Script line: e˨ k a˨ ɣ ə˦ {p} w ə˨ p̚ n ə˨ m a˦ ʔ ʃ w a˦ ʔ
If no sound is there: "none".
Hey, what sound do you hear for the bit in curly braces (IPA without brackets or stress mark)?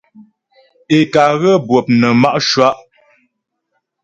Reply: b